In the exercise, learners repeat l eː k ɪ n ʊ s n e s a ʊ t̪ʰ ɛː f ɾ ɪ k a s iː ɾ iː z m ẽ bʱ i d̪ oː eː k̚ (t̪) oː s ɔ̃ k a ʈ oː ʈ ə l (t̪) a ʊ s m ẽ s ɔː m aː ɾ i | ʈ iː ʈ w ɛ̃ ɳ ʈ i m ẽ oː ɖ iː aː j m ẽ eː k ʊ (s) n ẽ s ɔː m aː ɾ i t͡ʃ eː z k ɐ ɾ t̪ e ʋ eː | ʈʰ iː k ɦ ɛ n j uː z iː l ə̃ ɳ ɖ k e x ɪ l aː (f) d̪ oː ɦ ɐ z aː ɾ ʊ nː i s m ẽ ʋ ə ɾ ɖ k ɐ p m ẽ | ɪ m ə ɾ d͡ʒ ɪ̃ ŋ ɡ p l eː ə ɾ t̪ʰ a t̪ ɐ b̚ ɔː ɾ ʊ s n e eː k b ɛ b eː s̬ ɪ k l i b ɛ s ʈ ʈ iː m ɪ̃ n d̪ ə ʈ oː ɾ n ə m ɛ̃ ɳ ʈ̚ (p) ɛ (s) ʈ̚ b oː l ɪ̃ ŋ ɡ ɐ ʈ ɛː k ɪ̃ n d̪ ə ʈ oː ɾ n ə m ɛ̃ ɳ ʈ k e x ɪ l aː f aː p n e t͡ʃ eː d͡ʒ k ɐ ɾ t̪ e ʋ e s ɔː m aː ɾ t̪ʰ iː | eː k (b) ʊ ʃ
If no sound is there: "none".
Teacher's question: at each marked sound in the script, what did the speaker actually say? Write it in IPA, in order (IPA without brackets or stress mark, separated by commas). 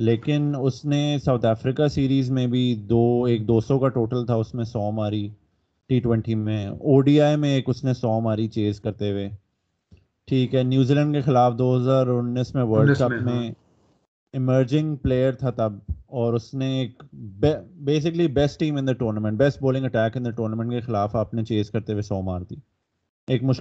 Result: d̪, t̪ʰ, s, f, b, s, m